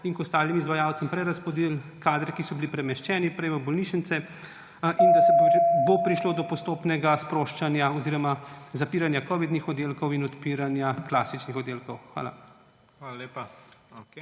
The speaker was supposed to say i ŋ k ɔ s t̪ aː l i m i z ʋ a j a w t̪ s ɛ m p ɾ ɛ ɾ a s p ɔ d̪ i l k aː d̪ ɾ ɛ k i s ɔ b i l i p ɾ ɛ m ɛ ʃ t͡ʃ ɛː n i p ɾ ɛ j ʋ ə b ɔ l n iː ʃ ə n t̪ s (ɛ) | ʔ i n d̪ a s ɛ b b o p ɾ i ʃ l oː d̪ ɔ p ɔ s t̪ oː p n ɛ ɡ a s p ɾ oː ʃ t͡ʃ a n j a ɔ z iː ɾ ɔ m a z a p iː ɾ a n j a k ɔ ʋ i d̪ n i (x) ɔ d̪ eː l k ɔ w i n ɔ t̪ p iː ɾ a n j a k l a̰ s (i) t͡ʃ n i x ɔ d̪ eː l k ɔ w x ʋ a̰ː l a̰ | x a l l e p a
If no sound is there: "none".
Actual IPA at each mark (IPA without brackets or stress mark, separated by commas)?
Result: ɛ, x, i